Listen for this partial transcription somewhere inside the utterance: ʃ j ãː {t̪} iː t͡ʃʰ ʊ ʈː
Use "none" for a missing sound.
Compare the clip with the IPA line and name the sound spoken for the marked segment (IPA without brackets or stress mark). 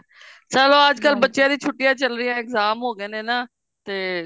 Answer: d̪